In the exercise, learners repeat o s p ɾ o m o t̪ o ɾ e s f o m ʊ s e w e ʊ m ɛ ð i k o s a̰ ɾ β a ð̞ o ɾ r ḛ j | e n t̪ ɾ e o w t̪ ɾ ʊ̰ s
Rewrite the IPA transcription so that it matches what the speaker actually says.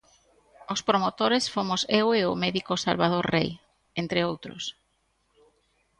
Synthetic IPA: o s p ɾ o m o t̪ o ɾ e s f o m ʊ s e w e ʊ m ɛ ð i k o s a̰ l β a ð̞ o ɾ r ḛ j | e n t̪ ɾ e o w t̪ ɾ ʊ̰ s